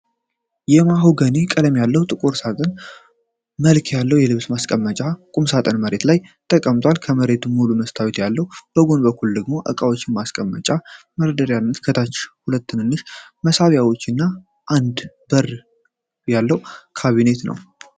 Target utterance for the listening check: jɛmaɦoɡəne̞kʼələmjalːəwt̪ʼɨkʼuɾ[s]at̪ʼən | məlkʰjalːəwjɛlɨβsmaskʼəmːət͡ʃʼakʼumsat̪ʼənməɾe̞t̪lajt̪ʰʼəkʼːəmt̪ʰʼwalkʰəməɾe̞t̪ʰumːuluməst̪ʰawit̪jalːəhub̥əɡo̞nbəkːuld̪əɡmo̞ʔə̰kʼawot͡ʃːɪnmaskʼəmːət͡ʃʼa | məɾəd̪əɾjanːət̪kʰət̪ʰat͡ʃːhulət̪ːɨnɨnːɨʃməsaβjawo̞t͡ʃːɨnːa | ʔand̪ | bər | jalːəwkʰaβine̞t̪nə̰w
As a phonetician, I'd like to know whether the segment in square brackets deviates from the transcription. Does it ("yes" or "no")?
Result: no